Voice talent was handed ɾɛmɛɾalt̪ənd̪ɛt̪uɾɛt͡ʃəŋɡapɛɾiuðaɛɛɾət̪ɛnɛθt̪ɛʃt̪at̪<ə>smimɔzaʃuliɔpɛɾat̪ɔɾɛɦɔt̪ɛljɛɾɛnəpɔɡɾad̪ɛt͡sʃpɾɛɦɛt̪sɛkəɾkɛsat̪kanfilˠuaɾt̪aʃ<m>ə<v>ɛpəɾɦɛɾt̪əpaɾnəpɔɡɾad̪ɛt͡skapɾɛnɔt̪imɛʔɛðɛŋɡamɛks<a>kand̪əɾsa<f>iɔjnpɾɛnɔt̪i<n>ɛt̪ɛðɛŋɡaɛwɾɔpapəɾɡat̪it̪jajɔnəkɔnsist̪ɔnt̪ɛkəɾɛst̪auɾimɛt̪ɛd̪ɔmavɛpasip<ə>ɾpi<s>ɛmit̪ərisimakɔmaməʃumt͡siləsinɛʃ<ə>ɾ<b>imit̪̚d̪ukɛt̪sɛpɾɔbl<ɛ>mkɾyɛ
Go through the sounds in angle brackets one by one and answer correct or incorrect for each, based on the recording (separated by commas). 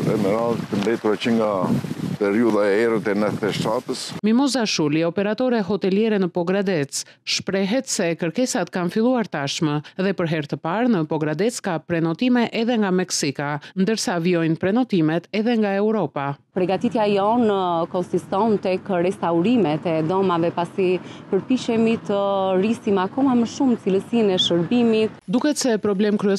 correct, correct, incorrect, incorrect, incorrect, incorrect, correct, incorrect, correct, correct, correct